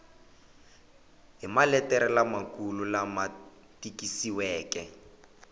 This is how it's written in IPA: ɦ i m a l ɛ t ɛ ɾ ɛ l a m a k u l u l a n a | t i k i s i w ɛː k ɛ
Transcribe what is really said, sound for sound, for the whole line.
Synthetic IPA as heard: ɦ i m a l ɛ t ɛ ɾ ɛ l a m a k u l u l a m a | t i k i s i w ɛː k ɛ